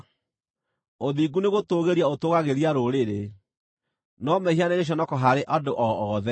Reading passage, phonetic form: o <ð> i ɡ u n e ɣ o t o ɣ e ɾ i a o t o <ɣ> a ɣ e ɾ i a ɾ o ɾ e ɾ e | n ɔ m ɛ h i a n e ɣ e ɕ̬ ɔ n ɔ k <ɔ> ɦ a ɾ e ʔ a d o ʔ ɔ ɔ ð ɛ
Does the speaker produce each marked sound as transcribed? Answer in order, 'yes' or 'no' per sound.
yes, yes, yes

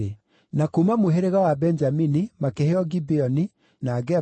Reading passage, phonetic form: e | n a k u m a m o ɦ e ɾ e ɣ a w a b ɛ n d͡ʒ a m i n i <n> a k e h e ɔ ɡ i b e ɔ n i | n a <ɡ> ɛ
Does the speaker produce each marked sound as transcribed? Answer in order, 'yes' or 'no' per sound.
no, yes

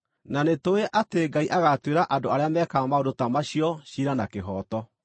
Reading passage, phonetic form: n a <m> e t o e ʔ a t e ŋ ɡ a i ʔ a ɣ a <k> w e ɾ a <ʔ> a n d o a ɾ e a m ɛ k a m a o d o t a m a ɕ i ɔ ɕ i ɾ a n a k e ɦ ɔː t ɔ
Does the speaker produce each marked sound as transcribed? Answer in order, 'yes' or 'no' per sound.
no, no, yes

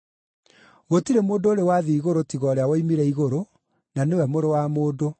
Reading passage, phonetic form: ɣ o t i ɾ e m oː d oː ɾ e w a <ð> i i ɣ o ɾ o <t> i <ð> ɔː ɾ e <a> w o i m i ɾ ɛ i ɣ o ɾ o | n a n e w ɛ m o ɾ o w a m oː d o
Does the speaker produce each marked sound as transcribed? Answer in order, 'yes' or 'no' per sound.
yes, yes, no, yes

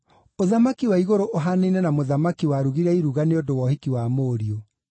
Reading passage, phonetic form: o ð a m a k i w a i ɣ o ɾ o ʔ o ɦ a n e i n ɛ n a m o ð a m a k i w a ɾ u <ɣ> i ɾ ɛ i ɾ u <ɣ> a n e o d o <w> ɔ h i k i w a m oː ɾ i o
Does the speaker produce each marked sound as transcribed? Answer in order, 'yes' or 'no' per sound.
yes, yes, yes

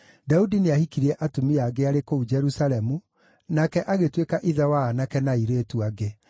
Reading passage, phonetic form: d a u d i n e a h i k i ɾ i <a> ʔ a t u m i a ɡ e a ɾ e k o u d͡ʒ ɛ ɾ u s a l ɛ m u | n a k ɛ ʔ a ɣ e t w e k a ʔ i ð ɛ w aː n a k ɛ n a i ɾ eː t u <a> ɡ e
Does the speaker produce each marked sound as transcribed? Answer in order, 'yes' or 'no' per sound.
no, yes

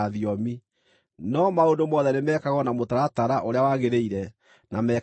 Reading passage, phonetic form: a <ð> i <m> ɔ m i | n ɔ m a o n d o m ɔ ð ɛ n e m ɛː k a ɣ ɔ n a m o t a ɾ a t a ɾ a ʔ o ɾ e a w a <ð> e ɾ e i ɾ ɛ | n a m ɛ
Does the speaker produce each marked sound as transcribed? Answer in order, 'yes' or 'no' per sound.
yes, no, no

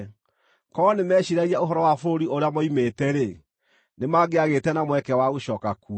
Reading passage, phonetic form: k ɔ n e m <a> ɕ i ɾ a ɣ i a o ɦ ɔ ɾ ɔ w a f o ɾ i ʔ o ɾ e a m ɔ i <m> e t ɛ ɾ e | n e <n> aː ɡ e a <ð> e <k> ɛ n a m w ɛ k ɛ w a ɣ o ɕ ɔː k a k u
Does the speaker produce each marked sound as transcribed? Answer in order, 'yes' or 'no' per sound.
no, yes, no, no, no

